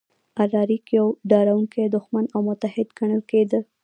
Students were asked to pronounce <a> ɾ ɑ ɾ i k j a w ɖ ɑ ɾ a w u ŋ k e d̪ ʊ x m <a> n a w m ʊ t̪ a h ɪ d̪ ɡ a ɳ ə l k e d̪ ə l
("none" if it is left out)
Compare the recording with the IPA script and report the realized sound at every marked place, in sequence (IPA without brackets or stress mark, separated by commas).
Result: a, a